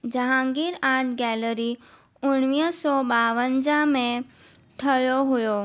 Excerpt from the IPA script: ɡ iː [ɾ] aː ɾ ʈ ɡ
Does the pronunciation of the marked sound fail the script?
no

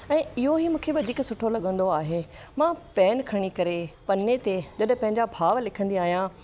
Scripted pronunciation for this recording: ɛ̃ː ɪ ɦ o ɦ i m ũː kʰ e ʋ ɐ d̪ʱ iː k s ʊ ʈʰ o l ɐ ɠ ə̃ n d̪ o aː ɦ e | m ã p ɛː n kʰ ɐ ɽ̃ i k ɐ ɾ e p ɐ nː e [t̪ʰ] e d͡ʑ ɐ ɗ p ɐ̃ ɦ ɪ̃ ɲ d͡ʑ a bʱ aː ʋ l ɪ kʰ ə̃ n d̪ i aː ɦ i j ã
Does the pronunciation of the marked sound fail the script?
yes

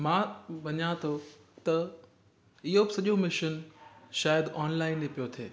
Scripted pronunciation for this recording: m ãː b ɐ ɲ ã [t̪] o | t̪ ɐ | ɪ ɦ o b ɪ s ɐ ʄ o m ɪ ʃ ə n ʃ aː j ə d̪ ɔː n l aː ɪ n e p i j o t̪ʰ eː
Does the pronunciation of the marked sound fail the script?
yes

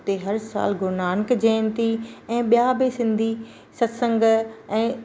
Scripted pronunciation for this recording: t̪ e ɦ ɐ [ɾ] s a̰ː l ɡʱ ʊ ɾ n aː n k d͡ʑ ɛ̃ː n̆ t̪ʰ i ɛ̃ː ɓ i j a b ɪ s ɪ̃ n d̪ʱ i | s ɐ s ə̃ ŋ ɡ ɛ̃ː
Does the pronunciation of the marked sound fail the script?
no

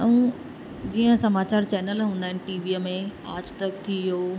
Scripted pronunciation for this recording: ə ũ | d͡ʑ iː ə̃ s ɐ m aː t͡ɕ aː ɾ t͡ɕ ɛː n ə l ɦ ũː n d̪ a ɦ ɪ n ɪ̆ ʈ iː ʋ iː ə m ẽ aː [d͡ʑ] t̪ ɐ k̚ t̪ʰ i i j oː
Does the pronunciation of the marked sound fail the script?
no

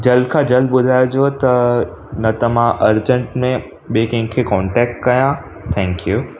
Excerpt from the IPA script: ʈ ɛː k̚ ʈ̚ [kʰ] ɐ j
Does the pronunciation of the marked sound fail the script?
yes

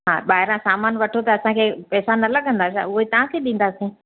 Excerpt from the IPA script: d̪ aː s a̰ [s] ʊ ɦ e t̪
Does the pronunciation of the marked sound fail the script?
yes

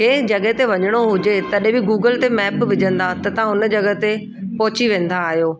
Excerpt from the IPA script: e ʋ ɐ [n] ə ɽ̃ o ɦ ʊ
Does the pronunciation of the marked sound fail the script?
yes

